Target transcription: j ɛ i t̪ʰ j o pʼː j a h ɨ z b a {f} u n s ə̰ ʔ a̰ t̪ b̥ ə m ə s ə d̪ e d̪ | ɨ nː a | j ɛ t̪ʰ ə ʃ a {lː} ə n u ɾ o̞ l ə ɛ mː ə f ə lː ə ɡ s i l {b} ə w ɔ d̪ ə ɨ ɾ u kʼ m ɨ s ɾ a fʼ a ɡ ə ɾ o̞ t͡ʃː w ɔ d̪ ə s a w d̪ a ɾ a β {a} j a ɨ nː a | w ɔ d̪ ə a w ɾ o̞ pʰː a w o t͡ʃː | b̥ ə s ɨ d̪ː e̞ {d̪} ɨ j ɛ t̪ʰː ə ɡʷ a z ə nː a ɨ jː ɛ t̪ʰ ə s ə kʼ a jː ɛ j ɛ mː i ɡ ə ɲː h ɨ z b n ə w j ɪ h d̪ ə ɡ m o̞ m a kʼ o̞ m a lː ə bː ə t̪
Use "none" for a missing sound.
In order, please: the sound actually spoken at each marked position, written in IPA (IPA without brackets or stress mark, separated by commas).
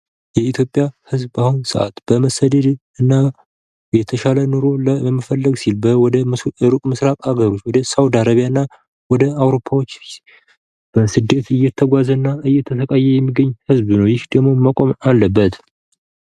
h, l, b, i, t̪